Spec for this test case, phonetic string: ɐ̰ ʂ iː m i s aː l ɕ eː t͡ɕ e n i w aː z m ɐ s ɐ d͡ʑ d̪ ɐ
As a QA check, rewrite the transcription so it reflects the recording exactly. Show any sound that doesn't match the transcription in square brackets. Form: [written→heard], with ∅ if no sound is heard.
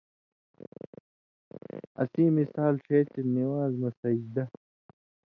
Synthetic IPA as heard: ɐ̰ [ʂ→s] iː m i s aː l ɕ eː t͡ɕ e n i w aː z m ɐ s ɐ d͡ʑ d̪ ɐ